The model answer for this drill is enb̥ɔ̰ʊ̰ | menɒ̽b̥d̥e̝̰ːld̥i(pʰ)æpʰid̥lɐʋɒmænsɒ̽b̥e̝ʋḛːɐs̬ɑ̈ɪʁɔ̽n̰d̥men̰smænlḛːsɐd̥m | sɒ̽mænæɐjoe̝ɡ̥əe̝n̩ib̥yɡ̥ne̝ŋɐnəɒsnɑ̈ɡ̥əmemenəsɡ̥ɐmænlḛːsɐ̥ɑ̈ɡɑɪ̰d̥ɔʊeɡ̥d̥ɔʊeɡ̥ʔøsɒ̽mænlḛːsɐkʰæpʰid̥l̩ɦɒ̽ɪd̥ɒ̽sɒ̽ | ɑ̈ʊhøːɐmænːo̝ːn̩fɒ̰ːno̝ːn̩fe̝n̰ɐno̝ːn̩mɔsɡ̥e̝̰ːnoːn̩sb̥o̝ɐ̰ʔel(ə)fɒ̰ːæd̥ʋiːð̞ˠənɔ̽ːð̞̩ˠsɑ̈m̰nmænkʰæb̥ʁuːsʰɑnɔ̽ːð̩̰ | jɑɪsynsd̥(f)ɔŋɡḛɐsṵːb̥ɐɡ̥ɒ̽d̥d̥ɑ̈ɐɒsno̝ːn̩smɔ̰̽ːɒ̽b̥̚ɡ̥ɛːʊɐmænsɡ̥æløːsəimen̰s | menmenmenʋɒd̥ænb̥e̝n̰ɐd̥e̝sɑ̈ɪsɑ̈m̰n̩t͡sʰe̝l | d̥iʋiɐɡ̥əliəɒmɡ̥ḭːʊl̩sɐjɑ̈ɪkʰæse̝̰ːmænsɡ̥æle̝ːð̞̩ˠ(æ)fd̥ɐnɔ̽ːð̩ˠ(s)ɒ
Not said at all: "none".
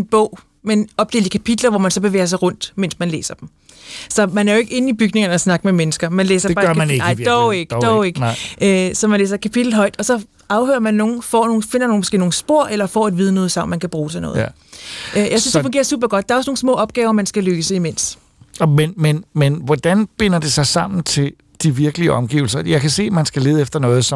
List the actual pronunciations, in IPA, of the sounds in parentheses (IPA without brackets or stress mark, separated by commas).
kʰ, ɐ, f, e, s